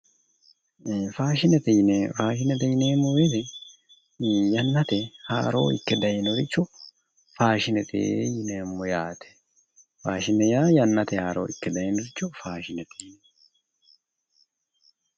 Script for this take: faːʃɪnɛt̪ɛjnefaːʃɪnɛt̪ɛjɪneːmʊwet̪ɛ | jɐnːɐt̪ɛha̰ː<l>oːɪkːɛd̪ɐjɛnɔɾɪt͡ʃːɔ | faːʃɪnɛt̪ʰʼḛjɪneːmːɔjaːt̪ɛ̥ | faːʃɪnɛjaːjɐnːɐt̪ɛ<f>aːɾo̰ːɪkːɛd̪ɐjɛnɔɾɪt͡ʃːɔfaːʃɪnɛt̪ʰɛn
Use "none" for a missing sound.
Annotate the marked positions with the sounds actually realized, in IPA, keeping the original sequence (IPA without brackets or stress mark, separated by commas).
ɾ, h